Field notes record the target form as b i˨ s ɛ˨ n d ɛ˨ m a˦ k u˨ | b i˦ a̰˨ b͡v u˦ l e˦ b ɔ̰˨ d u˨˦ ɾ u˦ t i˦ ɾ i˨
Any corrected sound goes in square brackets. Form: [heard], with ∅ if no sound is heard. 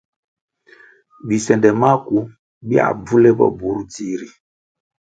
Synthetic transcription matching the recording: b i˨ s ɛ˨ n d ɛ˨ m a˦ k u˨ | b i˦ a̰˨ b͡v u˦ l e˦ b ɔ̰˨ [b] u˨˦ ɾ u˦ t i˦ ɾ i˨